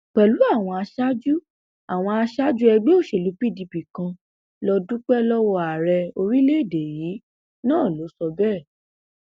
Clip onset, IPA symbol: k͡p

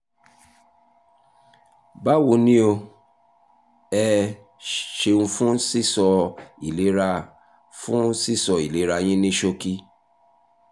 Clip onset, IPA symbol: b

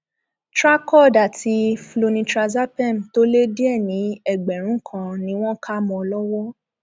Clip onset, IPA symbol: t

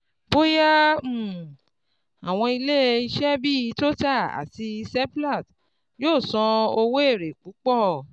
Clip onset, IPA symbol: b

